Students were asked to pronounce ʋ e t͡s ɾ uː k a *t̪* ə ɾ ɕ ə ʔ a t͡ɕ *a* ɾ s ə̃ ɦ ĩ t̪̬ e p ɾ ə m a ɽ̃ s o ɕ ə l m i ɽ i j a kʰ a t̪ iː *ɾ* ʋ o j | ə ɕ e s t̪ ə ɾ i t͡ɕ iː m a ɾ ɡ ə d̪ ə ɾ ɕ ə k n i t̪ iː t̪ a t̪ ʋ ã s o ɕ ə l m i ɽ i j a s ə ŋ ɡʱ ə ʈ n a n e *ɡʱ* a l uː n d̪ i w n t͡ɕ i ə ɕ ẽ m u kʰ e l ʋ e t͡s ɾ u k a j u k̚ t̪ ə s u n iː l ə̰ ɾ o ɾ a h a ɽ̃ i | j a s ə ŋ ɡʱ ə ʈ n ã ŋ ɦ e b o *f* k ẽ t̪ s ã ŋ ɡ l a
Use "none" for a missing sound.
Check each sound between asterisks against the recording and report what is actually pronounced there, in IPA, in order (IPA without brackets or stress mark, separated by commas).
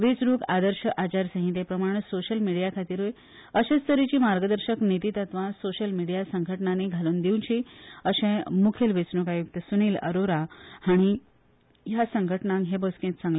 d̪, a, ɾ, ɡʱ, s